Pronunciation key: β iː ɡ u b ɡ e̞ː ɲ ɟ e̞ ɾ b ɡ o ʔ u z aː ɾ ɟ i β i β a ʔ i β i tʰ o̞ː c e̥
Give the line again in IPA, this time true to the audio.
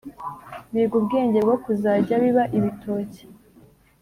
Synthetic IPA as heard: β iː ɡ u b ɡ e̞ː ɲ ɟ e̞ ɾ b ɡ o k u z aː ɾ ɟ a β i β a ʔ i β i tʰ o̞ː c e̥